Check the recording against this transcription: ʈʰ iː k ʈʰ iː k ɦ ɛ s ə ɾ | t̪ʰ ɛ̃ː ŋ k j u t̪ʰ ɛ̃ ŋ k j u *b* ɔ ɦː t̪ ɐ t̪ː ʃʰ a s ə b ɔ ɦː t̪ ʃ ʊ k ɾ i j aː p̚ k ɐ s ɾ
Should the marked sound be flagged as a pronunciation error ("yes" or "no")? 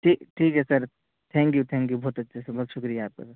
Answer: no